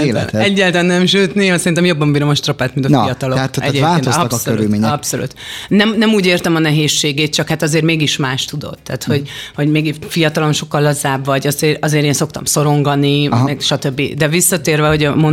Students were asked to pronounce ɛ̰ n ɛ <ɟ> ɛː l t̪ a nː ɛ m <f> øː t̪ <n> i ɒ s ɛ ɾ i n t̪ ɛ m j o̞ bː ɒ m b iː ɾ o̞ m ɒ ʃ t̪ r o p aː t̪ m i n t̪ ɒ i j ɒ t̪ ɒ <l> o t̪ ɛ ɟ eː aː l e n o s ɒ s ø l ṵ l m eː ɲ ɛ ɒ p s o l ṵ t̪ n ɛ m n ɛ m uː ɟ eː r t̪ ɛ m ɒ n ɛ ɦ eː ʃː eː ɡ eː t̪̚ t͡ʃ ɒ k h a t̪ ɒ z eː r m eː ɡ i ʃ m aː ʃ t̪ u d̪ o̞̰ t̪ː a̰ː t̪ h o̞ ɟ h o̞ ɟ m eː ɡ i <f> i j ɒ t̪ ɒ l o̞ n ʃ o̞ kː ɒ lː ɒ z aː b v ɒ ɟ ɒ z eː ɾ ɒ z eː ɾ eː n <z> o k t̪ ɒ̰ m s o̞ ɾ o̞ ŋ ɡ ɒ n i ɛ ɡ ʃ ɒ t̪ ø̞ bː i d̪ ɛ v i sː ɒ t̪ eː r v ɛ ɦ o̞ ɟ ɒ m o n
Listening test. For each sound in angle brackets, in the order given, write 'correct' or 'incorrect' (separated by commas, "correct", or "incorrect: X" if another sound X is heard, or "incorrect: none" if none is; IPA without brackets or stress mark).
incorrect: ɟː, incorrect: ʃ, correct, correct, correct, incorrect: s